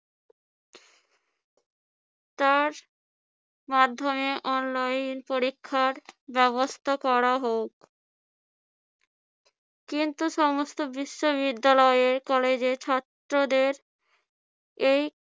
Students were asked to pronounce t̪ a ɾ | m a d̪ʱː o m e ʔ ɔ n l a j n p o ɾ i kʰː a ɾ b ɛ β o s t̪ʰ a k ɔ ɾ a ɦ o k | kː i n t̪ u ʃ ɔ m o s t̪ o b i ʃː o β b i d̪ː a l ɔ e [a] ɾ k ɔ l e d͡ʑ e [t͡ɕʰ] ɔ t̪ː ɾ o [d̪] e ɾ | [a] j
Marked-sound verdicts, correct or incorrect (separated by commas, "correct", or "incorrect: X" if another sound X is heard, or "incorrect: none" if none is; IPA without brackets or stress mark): incorrect: e, correct, correct, incorrect: e